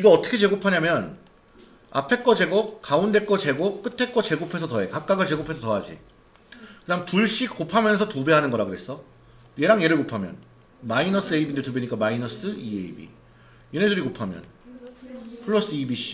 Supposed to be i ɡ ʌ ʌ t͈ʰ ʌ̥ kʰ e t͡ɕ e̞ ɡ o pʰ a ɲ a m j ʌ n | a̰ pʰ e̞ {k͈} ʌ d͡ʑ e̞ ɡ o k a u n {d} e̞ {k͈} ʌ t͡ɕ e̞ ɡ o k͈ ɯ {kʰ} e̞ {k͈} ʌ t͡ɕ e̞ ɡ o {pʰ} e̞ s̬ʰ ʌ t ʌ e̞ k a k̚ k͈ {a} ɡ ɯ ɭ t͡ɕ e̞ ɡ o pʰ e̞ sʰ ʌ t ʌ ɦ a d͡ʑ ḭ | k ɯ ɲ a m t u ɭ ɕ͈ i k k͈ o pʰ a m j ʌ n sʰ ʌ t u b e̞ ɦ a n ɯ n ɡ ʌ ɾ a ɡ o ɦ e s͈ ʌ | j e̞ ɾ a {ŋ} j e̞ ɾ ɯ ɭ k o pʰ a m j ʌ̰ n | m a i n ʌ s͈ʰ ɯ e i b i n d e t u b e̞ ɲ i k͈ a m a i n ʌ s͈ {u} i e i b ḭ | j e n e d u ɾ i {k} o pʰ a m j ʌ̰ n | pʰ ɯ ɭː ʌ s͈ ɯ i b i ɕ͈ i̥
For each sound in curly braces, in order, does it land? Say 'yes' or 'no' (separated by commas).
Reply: yes, yes, yes, no, yes, yes, yes, yes, no, yes